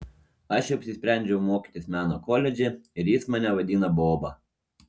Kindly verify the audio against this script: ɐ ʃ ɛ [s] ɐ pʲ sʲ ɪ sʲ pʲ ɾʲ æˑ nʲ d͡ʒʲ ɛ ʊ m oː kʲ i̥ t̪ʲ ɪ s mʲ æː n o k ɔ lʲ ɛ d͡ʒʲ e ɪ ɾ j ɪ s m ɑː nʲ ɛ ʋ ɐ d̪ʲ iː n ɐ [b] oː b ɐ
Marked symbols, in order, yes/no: no, yes

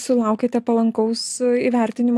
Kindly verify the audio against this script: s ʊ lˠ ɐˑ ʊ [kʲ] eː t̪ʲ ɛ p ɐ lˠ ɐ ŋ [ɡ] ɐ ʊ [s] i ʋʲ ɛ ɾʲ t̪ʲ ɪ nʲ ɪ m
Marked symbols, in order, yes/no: yes, no, yes

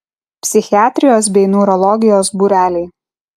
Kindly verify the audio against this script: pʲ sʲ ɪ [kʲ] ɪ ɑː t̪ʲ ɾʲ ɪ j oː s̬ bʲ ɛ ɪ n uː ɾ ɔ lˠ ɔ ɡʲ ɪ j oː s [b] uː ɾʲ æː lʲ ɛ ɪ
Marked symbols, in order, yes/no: no, yes

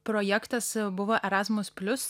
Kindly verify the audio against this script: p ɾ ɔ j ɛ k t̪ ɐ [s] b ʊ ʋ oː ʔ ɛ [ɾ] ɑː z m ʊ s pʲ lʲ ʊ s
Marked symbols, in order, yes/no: yes, yes

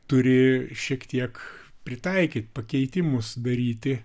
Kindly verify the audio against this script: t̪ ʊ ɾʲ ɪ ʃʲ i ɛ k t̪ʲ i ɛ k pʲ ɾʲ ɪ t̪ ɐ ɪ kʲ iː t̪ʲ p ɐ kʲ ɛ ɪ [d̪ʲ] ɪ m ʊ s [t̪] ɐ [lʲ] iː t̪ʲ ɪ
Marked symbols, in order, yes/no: no, no, no

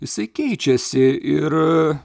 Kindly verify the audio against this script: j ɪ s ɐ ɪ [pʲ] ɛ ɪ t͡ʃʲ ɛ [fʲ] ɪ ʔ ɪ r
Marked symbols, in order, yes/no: no, no

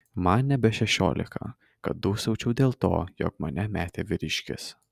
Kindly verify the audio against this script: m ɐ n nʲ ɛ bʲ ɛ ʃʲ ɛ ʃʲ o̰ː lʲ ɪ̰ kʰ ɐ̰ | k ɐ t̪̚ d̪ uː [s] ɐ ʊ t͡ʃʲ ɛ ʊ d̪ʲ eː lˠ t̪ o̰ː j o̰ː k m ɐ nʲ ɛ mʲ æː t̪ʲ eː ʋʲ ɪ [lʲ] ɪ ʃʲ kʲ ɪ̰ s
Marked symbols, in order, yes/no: yes, no

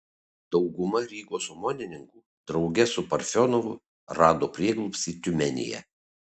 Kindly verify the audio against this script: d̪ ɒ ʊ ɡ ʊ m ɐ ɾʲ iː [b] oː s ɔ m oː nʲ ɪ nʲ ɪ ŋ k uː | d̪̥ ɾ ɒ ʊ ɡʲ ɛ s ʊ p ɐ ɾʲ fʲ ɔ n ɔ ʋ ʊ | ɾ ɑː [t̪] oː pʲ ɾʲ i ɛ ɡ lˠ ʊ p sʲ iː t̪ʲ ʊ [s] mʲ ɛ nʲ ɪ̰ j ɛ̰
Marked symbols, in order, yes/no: no, no, no

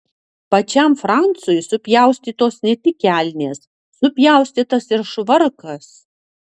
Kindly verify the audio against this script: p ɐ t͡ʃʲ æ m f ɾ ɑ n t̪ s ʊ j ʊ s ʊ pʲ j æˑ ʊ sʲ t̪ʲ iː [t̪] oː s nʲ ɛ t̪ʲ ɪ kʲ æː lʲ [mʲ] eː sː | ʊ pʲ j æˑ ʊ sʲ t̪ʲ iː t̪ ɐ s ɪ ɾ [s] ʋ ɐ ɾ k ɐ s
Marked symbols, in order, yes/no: yes, no, no

